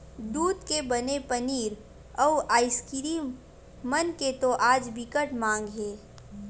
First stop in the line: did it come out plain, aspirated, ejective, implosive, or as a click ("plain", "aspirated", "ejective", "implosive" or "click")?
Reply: plain